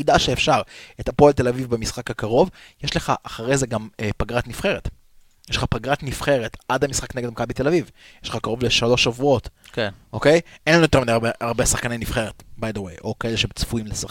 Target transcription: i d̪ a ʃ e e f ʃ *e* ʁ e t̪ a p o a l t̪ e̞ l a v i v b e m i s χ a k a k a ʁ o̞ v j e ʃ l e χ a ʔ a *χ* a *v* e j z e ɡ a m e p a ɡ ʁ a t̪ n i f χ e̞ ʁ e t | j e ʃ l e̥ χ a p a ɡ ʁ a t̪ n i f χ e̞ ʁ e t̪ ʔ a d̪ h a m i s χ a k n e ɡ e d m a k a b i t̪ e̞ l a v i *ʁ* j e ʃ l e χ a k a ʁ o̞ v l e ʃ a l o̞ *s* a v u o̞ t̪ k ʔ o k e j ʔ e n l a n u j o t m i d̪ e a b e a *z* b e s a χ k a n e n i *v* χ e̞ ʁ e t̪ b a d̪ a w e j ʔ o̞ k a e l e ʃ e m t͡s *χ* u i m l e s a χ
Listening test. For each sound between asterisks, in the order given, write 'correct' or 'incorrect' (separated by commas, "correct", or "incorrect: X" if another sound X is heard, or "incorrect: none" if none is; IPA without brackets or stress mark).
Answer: incorrect: a, correct, incorrect: ʁ, incorrect: v, incorrect: ʃ, incorrect: ʁ, incorrect: f, incorrect: f